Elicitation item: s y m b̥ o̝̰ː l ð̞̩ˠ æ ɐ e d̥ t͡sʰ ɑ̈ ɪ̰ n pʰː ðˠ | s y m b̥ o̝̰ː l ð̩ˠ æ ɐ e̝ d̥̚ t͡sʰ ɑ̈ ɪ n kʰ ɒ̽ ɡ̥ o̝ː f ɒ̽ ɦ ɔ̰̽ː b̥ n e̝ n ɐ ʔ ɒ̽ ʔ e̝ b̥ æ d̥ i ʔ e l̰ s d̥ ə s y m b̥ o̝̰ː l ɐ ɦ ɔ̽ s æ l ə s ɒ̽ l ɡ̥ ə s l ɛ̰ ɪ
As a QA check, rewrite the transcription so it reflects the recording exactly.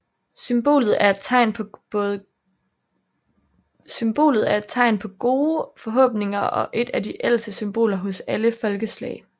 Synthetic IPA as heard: s y m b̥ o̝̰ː l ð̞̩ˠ æ ɐ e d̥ t͡sʰ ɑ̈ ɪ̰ n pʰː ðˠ | s y m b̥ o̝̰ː l ð̩ˠ æ ɐ e̝ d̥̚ t͡sʰ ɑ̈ ɪ n pʰ ɒ̽ ɡ̥ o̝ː f ɒ̽ ɦ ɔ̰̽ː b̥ n e̝ ŋ ɐ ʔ ɒ̽ ʔ e̝ d̥ æ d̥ i ʔ e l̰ s d̥ ə s y m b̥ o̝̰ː l ɐ ɦ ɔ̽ s æ l ə f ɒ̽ l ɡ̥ ə s l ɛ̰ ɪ

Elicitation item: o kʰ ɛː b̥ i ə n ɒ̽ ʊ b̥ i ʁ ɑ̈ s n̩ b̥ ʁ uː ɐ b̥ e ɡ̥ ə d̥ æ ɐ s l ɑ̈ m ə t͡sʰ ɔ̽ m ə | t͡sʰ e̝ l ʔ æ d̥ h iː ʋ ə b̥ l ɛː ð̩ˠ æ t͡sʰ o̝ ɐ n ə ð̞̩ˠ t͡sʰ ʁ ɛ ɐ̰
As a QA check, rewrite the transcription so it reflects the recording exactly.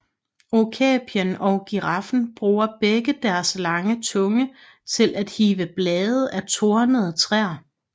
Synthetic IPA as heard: o kʰ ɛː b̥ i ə n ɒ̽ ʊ ɡ̥ i ʁ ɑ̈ f n̩ b̥ ʁ uː ɐ b̥ e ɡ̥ ə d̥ æ ɐ s l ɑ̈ ŋ ə t͡sʰ ɔ̽ ŋ ə | t͡sʰ e̝ l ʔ æ d̥ h iː ʋ ə b̥ l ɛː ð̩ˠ æ t͡sʰ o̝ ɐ n ə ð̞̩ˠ t͡sʰ ʁ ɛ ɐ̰

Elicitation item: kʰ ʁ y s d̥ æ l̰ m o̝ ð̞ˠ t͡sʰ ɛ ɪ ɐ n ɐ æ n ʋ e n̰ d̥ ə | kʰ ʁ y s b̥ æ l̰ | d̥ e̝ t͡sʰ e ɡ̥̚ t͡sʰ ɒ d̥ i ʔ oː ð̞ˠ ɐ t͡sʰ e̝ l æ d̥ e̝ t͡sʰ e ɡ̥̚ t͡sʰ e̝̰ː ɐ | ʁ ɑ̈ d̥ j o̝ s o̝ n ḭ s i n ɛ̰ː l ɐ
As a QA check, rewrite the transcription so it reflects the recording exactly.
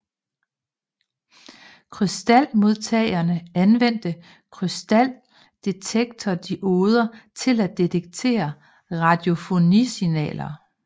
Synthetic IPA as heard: kʰ ʁ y s d̥ æ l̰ m o̝ ð̞ˠ t͡sʰ ɛ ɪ ɐ n ə æ n ʋ e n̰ d̥ ə | kʰ ʁ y s d̥ æ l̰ | d̥ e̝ t͡sʰ e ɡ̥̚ t͡sʰ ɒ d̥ i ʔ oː ð̞ˠ ɐ t͡sʰ e̝ l æ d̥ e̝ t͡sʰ e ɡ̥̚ t͡sʰ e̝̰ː ɐ | ʁ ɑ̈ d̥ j o̝ f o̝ n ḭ s i n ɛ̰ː l ɐ

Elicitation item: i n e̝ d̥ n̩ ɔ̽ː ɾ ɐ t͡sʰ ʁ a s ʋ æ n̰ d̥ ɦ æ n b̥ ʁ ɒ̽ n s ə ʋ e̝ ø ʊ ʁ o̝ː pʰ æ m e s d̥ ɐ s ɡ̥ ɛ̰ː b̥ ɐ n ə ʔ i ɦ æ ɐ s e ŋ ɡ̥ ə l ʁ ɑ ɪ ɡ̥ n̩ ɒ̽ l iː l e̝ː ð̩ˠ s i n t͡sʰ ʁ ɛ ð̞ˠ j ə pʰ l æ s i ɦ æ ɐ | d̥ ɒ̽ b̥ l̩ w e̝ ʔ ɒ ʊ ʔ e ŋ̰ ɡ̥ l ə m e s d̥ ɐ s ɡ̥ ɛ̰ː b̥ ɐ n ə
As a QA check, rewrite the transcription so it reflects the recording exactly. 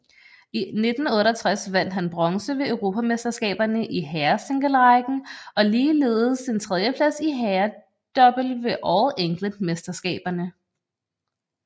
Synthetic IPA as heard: i n e̝ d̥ n̩ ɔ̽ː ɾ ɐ t͡sʰ ʁ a s ʋ æ n̰ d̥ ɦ æ n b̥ ʁ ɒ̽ ŋ s ə ʋ e̝ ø ʊ ʁ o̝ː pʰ æ m e s d̥ ɐ s ɡ̥ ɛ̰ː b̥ ɐ n ə ʔ i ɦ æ ɐ s e ŋ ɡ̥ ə l ʁ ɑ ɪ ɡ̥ n̩ ɒ̽ l iː l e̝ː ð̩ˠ s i n t͡sʰ ʁ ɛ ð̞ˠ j ə pʰ l æ s i ɦ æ ɐ | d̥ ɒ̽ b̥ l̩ ʋ e̝ ʔ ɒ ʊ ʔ e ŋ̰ ɡ̥ l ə m e s d̥ ɐ s ɡ̥ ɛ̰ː b̥ ɐ n ə

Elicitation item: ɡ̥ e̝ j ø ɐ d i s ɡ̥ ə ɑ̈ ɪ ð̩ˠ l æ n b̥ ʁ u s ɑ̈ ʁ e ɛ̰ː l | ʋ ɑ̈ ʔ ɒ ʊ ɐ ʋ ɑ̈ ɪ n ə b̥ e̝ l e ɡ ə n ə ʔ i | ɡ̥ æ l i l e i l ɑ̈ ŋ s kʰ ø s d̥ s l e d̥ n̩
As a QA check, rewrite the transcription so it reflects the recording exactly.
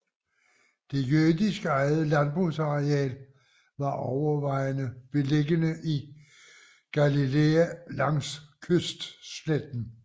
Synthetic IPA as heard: d̥ e̝ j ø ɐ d i s ɡ̥ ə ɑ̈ ɪ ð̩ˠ l æ n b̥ ʁ u s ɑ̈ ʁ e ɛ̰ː l | ʋ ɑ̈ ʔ ɒ ʊ ɐ ʋ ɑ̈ ɪ n ə b̥ e̝ l e ɡ ə n ə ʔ i | ɡ̥ æ l i l e æ l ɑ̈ ŋ s kʰ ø s d̥ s l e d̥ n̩

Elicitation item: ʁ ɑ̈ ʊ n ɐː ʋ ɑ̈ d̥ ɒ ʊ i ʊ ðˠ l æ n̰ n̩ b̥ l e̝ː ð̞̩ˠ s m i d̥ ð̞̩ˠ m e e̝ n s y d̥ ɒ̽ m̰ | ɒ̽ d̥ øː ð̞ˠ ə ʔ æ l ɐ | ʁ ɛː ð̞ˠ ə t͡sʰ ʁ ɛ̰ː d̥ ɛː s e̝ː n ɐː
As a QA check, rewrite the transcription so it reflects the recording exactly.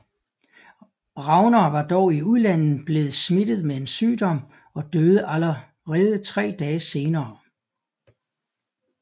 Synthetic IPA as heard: ʁ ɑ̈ ʊ n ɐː ʋ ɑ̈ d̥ ɒ ʊ i u ðˠ l æ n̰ n̩ b̥ l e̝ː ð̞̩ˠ s m i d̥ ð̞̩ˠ m e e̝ n s yː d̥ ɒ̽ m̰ | ɒ̽ d̥ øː ð̞ˠ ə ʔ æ l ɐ | ʁ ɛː ð̞ˠ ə t͡sʰ ʁ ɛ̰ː d̥ ɛː s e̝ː n ɐː

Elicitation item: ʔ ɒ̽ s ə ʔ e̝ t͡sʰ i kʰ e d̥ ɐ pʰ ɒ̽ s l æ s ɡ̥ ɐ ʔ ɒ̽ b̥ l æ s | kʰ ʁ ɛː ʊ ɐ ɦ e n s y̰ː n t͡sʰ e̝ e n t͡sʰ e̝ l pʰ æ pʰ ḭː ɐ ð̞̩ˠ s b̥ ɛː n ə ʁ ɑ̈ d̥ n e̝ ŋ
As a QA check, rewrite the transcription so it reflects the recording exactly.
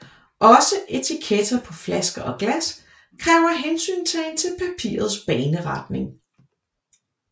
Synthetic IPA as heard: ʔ ɒ̽ s ə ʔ e̝ t͡sʰ i kʰ e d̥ ɐ pʰ ɒ̽ f l æ s ɡ̥ ɐ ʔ ɒ̽ ɡ̥ l æ s | kʰ ʁ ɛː ʊ ɐ ɦ e n s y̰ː n t͡sʰ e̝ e n t͡sʰ e̝ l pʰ æ pʰ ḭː ɐ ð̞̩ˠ s b̥ ɛː n ə ʁ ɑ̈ d̥ n e̝ ŋ

